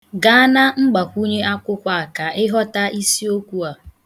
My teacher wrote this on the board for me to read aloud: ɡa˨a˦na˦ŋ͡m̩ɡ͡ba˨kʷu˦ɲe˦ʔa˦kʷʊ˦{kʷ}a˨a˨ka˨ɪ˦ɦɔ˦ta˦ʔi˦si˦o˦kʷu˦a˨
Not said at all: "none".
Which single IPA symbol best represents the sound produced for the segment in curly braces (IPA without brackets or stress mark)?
kʷ